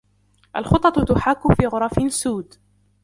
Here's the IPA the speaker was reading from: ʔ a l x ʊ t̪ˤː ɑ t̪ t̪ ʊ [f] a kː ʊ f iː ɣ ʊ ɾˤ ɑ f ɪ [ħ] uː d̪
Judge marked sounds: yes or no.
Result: no, no

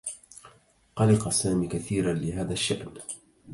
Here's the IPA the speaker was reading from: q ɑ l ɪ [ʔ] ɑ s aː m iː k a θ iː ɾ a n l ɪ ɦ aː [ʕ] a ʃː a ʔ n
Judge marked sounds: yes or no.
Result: no, no

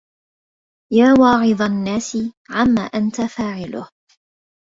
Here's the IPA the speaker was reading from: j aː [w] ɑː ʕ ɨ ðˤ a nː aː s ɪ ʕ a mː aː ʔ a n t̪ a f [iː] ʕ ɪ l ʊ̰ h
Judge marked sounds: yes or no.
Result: yes, no

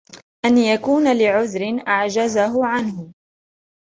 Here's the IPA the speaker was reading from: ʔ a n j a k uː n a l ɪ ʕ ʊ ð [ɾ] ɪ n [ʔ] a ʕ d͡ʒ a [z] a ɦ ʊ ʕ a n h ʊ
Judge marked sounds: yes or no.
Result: yes, yes, yes

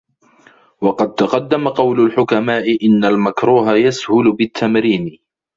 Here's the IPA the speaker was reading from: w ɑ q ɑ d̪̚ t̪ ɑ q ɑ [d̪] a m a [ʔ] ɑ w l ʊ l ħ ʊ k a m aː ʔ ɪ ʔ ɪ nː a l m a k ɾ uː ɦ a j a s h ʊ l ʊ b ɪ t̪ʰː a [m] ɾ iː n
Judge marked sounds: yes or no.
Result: no, no, yes

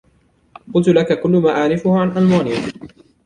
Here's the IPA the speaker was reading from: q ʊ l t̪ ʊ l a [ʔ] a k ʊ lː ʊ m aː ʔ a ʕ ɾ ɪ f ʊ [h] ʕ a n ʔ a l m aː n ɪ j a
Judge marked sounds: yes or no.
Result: no, yes

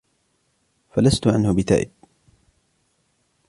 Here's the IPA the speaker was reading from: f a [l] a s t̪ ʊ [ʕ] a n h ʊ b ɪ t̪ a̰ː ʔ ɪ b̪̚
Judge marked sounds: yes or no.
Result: yes, yes

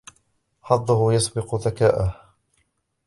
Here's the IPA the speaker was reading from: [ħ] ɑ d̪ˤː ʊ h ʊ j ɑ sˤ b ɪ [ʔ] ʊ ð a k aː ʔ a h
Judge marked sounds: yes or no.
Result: yes, no

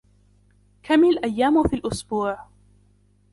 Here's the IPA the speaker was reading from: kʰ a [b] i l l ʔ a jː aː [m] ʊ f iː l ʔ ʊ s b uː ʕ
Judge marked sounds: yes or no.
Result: no, yes

